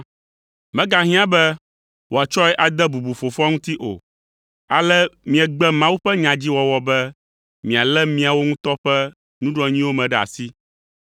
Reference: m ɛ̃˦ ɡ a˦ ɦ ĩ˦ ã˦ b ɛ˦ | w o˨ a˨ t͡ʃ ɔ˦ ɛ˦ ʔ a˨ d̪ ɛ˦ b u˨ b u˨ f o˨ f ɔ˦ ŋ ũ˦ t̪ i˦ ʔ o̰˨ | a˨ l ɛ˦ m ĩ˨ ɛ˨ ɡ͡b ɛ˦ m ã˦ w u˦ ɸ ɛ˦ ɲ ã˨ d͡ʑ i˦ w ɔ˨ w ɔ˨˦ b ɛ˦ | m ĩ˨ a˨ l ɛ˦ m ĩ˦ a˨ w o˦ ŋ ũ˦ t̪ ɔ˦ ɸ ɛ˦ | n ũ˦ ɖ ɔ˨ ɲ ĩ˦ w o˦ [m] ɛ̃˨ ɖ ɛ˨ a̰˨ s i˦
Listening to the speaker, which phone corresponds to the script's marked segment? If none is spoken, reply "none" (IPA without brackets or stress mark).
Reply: m